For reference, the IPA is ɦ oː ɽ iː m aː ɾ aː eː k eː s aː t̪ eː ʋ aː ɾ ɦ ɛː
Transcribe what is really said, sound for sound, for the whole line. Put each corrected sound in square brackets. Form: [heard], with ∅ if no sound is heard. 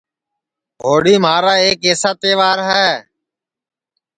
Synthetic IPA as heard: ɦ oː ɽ iː m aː ɾ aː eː k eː s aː t̪ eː ʋ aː ɾ ɦ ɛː